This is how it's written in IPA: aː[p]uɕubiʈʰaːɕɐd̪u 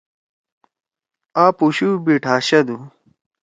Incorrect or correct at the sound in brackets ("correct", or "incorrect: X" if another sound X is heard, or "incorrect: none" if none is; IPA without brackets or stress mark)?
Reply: correct